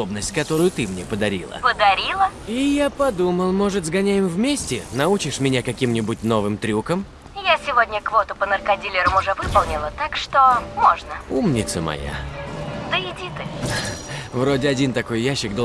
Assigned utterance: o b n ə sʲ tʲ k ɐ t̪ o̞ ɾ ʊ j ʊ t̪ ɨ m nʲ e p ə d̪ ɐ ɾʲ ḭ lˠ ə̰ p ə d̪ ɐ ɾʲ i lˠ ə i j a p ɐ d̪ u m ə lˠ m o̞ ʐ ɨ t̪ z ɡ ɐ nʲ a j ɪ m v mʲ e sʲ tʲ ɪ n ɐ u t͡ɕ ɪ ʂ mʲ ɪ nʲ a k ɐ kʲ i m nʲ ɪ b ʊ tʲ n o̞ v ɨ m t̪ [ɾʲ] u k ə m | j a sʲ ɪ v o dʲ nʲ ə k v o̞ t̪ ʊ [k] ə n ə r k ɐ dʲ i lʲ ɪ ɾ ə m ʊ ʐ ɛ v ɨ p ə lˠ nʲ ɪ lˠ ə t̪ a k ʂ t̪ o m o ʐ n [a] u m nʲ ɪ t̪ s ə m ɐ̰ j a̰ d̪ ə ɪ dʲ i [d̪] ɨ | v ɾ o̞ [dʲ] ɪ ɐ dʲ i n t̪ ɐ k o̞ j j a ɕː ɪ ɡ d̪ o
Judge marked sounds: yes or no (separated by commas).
yes, no, no, no, yes